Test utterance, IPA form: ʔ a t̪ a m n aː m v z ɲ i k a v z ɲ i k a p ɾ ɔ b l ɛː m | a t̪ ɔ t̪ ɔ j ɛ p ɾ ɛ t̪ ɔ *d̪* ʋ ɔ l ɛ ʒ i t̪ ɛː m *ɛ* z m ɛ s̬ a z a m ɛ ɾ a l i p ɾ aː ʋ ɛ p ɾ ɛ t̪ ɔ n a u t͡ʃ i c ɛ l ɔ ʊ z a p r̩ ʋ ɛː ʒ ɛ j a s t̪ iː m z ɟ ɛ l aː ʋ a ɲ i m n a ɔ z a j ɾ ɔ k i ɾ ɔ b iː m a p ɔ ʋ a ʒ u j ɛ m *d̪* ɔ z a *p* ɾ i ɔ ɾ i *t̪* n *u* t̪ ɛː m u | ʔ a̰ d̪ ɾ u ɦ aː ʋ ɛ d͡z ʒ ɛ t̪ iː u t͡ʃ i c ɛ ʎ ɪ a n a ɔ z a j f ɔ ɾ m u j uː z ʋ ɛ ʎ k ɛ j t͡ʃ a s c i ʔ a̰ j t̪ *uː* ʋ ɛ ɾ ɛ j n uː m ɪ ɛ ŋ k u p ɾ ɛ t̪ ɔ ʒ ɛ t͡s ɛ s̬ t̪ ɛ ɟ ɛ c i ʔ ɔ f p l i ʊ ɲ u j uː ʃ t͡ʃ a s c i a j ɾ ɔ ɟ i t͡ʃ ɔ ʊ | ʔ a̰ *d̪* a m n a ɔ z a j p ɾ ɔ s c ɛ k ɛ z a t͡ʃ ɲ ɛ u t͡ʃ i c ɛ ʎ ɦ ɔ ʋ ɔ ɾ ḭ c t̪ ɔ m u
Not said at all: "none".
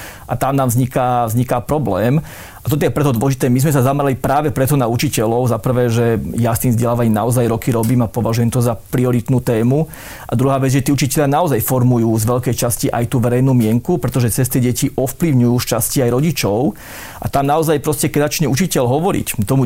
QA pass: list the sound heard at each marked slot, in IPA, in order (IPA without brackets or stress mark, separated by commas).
d̪, i, t̪, p, t̪, uː, uː, t̪